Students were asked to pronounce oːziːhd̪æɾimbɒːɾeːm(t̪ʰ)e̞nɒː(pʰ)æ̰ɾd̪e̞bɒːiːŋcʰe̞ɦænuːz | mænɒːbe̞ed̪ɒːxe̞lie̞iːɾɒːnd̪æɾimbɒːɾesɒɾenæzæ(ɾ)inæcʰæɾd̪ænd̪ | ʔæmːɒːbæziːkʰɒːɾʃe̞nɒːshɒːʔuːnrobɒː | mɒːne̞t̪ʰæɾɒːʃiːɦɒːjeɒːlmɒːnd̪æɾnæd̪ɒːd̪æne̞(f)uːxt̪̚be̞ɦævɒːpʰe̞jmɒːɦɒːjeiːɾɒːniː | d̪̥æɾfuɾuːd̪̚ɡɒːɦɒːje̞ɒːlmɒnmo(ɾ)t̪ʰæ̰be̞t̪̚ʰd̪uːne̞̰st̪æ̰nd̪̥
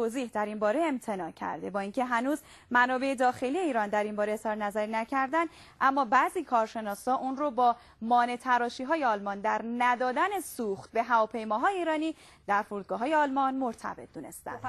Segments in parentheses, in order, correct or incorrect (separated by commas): correct, incorrect, correct, incorrect, correct